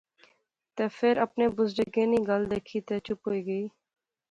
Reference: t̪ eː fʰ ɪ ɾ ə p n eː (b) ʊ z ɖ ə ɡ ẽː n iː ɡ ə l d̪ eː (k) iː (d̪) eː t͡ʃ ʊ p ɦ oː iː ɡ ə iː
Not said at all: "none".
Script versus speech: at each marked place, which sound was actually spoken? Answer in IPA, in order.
b, kʰ, t̪

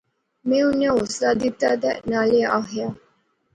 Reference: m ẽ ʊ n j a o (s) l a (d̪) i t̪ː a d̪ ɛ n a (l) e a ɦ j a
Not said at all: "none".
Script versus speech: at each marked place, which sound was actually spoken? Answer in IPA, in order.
s, d̪, l

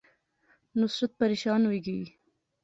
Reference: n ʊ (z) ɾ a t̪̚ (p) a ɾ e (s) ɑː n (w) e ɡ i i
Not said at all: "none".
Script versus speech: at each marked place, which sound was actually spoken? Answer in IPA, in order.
s, p, ʃ, w

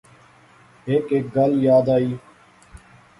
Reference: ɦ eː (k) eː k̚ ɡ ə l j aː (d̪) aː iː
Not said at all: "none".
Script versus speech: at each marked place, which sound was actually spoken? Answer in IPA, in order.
k, d̪

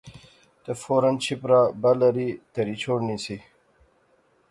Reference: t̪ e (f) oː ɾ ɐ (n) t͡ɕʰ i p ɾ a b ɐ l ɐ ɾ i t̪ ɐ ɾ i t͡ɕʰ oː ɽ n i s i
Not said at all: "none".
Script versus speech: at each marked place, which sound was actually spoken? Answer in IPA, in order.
f, n

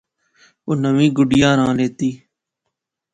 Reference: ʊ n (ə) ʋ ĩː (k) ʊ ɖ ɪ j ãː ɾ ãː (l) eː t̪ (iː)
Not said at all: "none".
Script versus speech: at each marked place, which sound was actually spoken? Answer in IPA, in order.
ə, ɡ, l, iː

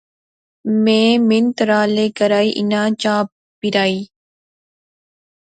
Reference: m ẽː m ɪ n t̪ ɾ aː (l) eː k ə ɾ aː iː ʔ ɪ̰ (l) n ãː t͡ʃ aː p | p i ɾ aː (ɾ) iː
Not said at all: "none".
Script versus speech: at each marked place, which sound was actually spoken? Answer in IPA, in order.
l, none, none

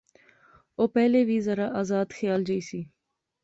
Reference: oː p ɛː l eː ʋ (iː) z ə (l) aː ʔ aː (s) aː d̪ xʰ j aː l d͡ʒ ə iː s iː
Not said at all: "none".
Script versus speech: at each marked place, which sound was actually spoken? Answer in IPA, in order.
iː, ɾ, z

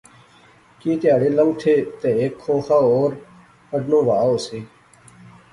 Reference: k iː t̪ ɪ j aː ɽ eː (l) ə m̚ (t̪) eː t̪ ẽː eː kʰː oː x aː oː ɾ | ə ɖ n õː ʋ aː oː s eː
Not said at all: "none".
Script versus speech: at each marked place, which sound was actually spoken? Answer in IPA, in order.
l, t̪ʰ

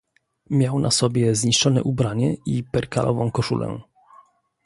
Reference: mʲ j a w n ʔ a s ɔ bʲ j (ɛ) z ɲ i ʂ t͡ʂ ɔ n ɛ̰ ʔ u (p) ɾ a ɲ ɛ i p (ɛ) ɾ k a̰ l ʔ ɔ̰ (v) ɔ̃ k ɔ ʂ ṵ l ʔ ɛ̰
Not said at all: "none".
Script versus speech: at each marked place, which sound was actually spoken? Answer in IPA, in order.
ɛ, b, ɛ, v

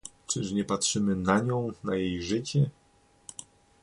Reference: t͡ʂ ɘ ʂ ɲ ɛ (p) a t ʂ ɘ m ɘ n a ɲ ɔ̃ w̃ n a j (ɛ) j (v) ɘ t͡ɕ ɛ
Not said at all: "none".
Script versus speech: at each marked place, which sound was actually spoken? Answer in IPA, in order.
p, e, ʐ

